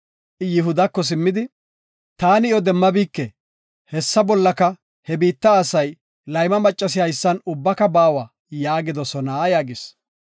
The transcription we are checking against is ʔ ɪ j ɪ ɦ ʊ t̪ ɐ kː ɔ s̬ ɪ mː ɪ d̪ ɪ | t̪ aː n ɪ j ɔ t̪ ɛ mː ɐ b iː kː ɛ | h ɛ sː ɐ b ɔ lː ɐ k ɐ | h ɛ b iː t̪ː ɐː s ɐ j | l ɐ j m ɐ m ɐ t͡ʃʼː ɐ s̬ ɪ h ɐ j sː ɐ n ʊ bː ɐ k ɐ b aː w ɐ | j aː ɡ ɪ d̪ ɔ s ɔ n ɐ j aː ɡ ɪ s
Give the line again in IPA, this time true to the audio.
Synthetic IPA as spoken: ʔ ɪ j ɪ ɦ ʊ d̪ ɐ kː ɔ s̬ ɪ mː ɪ d̪ ɪ | t̪ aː n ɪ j ɔ d̪ ɛ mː ɐ b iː kː ɛ | h ɛ sː ɐ b ɔ lː ɐ k ɐ | h ɛ b iː t̪ː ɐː s ɐ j | l ɐ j m ɐ m ɐ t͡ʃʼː ɐ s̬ ɪ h ɐ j sː ɐ n ʊ bː ɐ k ɐ b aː w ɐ | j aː ɡ ɪ d̪ ɔ s ɔ n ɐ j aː ɡ ɪ s